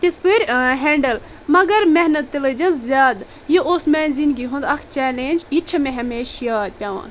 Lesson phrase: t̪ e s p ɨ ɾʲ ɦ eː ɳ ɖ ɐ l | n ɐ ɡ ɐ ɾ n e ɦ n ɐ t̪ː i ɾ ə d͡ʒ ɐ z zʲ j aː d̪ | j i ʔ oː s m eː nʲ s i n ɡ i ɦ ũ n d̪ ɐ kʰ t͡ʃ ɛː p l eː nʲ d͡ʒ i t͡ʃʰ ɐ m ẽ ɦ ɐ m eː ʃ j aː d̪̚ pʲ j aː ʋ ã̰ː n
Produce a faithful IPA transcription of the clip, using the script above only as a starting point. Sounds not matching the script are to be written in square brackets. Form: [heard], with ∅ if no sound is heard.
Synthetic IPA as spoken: t̪ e s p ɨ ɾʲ ɦ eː ɳ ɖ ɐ l | [m] ɐ ɡ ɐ ɾ [m] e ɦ n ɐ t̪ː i [l] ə d͡ʒ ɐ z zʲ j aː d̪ | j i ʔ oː s m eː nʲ [z] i n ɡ i ɦ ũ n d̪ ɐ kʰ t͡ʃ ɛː [∅] l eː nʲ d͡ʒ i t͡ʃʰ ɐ m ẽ ɦ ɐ m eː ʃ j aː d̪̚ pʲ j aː ʋ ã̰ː n